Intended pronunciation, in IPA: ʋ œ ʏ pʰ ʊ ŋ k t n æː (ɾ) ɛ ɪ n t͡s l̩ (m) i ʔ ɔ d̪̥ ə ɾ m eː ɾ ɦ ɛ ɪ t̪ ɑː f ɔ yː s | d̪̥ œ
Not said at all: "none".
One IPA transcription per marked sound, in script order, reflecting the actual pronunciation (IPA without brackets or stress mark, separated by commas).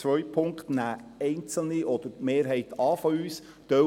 none, n